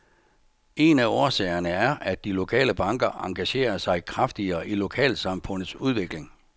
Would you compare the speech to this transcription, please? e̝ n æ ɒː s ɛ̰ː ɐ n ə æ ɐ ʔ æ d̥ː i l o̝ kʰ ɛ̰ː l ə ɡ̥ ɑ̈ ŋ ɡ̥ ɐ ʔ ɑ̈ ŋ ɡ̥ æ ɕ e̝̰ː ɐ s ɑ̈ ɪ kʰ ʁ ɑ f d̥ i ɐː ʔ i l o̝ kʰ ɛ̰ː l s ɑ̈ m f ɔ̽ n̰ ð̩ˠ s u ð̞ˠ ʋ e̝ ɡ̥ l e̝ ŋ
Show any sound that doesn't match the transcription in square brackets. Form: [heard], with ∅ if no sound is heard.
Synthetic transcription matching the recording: e̝ n æ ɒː s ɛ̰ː ɐ n ə æ ɐ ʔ æ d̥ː i l o̝ kʰ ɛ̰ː l ə [b̥] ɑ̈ ŋ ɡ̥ ɐ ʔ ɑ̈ ŋ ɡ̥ æ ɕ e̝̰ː ɐ s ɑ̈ ɪ kʰ ʁ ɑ f d̥ i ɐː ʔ i l o̝ kʰ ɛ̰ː l s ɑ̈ m f ɔ̽ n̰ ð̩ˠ s u ð̞ˠ ʋ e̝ ɡ̥ l e̝ ŋ

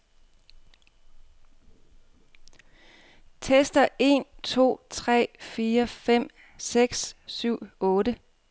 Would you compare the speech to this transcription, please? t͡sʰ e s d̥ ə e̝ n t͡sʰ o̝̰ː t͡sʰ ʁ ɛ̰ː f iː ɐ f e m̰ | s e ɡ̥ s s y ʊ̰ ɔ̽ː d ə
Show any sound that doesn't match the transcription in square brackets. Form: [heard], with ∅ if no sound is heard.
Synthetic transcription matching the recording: t͡sʰ e s d̥ [ɐ] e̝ n t͡sʰ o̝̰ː t͡sʰ ʁ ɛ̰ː f iː ɐ f e m̰ | s e ɡ̥ s s y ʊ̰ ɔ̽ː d ə

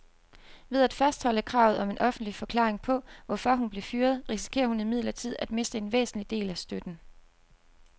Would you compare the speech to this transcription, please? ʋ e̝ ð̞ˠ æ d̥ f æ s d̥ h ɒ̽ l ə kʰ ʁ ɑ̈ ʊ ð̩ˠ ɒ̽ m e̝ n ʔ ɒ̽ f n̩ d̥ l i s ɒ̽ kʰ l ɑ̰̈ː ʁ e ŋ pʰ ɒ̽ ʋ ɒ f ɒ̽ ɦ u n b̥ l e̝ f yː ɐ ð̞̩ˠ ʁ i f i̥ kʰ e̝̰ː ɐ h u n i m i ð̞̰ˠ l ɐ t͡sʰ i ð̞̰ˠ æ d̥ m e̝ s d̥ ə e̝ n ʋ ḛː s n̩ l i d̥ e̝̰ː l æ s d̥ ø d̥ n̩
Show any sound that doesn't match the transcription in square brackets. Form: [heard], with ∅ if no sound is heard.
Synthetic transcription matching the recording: ʋ e̝ ð̞ˠ æ d̥ f æ s d̥ h ɒ̽ l ə kʰ ʁ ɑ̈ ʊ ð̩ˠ ɒ̽ m e̝ n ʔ ɒ̽ f n̩ d̥ l i [f] ɒ̽ kʰ l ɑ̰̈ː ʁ e ŋ pʰ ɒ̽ ʋ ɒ f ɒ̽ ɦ u n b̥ l e̝ f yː ɐ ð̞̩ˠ ʁ i [s] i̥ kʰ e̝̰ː ɐ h u n i m i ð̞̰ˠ l ɐ t͡sʰ i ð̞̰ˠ æ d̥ m e̝ s d̥ ə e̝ n ʋ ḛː s n̩ l i d̥ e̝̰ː l æ s d̥ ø d̥ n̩

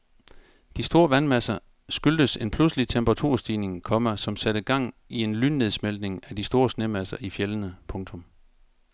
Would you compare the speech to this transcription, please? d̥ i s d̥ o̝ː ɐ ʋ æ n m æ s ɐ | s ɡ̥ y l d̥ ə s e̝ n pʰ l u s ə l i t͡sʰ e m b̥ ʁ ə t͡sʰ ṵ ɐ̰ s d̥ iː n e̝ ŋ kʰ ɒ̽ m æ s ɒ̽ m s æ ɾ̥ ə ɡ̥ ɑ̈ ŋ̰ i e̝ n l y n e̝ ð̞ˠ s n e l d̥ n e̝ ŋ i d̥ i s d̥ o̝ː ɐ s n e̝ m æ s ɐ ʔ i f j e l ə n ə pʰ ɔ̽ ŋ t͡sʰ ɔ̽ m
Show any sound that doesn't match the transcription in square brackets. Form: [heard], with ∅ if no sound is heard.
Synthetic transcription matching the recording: d̥ i s d̥ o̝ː ɐ ʋ æ n m æ s ɐ | s ɡ̥ y l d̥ ə s e̝ n pʰ l u s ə l i t͡sʰ e m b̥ ʁ [ɑ] t͡sʰ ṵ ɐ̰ s d̥ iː n e̝ ŋ kʰ ɒ̽ m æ s ɒ̽ m s æ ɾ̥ ə ɡ̥ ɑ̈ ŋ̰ i e̝ n l y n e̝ ð̞ˠ s [m] e l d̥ n e̝ ŋ [æ] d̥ i s d̥ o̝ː ɐ s n e̝ m æ s ɐ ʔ i f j e l ə n ə pʰ ɔ̽ ŋ t͡sʰ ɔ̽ m

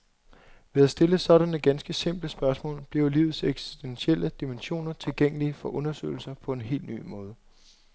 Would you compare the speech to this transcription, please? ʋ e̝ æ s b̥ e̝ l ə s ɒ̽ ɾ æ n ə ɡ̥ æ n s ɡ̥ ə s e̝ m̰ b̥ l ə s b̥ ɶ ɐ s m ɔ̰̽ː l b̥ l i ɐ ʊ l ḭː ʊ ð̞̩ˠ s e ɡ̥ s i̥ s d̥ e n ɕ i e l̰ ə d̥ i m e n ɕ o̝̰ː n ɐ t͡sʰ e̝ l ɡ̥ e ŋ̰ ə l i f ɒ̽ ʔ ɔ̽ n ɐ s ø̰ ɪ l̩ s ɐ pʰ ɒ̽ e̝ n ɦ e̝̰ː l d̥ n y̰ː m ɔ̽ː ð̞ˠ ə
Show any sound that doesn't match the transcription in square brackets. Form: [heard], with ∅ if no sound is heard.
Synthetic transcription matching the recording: ʋ e̝ æ s [d̥] e̝ l ə s ɒ̽ ɾ æ n ə ɡ̥ æ n s ɡ̥ ə s e̝ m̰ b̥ l ə s b̥ ɶ ɐ s m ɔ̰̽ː l b̥ l i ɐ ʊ l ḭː ʊ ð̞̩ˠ s e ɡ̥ s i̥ s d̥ e n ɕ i e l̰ ə d̥ i m e n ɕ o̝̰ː n ɐ t͡sʰ e̝ l ɡ̥ e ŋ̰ ə l i f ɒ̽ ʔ ɔ̽ n ɐ s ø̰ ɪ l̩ s ɐ pʰ ɒ̽ e̝ n ɦ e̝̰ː l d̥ n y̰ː m ɔ̽ː ð̞ˠ ə

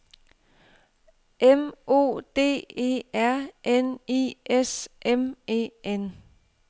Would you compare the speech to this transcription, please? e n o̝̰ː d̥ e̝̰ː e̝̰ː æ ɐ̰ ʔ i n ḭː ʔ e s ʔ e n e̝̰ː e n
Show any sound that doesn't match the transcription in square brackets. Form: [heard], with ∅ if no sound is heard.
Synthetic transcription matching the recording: e [m] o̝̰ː d̥ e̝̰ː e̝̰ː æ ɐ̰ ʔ [e] n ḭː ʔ e s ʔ e [m] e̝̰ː e n

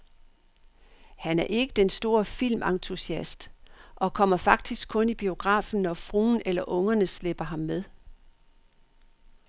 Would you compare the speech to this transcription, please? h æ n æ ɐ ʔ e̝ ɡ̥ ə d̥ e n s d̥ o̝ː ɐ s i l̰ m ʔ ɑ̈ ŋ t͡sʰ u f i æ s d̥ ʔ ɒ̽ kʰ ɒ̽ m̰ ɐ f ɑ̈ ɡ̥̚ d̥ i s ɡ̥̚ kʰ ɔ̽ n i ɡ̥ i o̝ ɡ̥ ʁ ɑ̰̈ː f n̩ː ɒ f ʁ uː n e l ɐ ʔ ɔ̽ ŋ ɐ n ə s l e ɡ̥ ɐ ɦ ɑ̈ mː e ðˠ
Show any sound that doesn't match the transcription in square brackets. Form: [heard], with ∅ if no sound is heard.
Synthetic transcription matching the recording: h æ n æ ɐ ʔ e̝ ɡ̥ ə d̥ e n s d̥ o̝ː ɐ [f] i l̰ m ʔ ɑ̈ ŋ t͡sʰ u [s] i æ s d̥ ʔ ɒ̽ kʰ ɒ̽ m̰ ɐ f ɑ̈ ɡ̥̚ d̥ i s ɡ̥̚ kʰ ɔ̽ n i [b̥] i o̝ ɡ̥ ʁ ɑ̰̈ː f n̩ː ɒ f ʁ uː n e l ɐ ʔ ɔ̽ ŋ ɐ n ə s l e [b̥] ɐ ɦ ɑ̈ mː e ðˠ

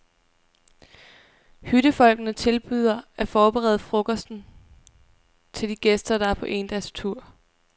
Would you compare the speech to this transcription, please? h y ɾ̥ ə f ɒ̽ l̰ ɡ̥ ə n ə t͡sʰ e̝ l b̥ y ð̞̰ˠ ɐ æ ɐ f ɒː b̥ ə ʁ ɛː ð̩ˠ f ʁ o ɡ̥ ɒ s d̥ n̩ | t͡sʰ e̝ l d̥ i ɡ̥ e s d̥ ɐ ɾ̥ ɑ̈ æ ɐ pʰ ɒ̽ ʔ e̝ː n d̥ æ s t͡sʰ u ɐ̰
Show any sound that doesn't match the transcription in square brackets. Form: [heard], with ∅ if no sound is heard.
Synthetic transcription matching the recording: h y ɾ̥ ə f ɒ̽ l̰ ɡ̥ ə n ə t͡sʰ e̝ l b̥ y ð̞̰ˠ ɐ æ ɐ f ɒː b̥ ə ʁ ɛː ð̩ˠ f ʁ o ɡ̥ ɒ s d̥ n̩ | t͡sʰ e̝ l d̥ i ɡ̥ e s d̥ ɐ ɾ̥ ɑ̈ æ ɐ pʰ ɒ̽ ʔ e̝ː n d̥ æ s t͡sʰ u ɐ̰

